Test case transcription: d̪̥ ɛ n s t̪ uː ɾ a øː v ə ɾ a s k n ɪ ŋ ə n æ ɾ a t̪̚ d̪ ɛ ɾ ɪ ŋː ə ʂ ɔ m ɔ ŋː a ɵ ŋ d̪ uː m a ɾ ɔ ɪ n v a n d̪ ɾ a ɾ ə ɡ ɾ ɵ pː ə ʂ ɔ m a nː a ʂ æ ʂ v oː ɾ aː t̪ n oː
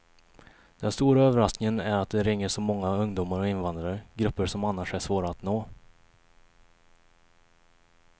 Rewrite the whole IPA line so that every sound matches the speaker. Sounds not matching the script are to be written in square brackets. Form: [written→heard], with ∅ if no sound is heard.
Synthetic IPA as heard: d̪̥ ɛ n s t̪ uː ɾ a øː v ə ɾ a s k n ɪ ŋ ə n æ ɾ a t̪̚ d̪ ɛ ɾ ɪ ŋː ə ʂ ɔ m ɔ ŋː a ɵ ŋ d̪ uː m a ɾ ɔ ɪ n v a n d̪ ɾ a ɾ ə ɡ ɾ ɵ pː ə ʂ ɔ m a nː a ʂ æ ʂ v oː ɾ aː t̪ n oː